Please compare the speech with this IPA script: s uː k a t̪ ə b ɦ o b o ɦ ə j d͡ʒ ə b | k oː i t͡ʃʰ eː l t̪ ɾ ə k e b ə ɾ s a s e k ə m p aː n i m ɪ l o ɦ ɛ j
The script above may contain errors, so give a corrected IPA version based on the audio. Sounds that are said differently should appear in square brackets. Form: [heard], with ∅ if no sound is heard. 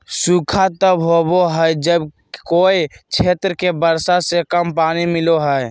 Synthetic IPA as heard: s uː [kʰ] a t̪ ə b ɦ o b o ɦ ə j d͡ʒ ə b | k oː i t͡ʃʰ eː [∅] t̪ ɾ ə k e b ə ɾ s a s e k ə m p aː n i m ɪ l o ɦ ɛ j